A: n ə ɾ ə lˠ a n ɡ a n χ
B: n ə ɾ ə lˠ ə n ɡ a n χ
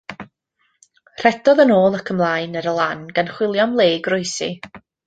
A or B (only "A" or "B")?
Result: A